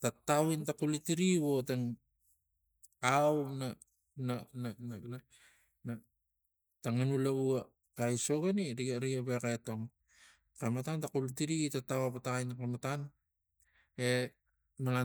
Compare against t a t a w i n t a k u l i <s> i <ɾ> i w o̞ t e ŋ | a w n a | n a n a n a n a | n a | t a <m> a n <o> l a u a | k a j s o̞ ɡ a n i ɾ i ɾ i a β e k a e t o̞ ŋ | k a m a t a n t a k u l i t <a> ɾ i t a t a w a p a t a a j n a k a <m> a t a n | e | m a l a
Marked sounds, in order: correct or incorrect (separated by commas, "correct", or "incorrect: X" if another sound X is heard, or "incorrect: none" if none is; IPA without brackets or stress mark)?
incorrect: t, correct, incorrect: ŋ, incorrect: u, incorrect: i, correct